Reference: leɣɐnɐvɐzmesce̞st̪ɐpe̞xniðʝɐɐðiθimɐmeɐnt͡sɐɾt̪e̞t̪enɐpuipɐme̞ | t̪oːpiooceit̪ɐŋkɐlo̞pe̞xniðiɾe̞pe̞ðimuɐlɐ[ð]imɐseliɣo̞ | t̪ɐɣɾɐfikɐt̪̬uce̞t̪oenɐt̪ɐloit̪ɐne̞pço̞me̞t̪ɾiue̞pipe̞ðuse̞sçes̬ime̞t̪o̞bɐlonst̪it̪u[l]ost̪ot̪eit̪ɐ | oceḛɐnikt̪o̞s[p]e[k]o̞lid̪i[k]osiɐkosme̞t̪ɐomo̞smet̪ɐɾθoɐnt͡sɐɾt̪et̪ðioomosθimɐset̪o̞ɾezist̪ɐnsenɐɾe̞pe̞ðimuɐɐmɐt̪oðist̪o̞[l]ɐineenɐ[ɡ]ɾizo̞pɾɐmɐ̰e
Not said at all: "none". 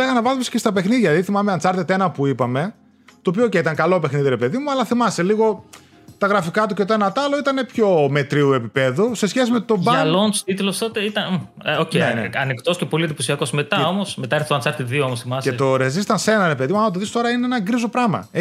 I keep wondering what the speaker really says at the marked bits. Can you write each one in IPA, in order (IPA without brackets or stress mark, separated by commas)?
θ, l, c, p, p, ɾ, ɡ